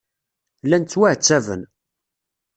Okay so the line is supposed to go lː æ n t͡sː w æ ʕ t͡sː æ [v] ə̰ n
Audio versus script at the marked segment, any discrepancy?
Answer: no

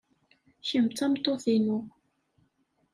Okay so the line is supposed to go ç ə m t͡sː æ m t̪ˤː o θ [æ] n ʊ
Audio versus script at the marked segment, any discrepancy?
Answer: yes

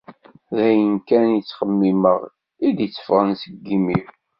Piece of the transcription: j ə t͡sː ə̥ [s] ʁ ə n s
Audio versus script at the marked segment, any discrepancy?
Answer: yes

